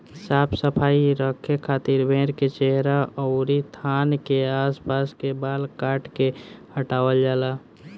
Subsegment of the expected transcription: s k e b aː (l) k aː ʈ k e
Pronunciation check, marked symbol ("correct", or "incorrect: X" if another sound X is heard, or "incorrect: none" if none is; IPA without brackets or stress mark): correct